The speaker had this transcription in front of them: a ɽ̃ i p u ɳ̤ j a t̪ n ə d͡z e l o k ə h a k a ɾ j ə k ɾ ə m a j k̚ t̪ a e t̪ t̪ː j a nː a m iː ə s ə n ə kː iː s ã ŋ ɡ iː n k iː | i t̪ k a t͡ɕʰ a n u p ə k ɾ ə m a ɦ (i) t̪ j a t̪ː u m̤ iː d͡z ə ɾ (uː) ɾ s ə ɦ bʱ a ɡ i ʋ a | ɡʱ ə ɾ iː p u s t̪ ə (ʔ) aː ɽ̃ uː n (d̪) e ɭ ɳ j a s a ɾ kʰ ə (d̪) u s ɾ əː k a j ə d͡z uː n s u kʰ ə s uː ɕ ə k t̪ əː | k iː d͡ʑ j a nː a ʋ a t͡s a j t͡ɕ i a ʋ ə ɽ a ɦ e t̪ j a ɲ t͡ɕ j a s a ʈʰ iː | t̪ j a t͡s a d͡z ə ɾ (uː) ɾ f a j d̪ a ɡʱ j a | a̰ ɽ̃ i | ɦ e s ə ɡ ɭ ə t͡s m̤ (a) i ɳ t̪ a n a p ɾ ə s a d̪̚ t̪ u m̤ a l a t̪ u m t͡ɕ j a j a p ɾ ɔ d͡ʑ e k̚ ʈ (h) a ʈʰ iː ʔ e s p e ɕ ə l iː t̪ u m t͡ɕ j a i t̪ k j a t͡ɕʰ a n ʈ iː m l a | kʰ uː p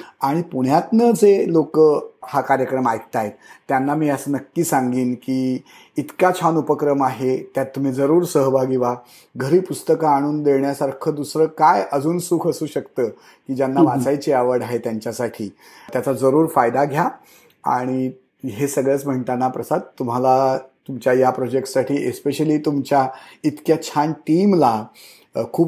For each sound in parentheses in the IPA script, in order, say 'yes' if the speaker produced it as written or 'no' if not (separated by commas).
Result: no, yes, no, yes, yes, yes, no, no